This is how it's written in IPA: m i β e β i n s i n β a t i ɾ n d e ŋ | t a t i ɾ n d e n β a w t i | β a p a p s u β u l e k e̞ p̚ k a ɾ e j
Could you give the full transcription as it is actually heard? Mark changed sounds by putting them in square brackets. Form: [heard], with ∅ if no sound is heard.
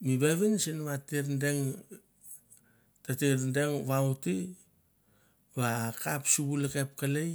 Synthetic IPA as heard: m i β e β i n s i n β a t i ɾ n d e ŋ | t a t i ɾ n d e [ŋ] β a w t i | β a [k] a p s u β u l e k e̞ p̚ k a [l] e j